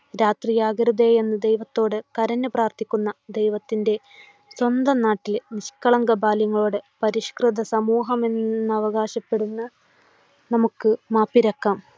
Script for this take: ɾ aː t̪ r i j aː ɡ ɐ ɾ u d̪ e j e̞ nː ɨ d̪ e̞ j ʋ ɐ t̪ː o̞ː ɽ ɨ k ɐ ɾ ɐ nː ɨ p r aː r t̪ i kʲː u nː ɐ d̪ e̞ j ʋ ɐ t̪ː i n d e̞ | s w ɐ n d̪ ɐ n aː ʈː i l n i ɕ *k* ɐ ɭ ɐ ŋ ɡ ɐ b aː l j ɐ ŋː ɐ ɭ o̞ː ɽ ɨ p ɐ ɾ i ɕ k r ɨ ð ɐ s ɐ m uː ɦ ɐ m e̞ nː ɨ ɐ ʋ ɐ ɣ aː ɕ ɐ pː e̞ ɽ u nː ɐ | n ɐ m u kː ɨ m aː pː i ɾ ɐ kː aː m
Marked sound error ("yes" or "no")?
no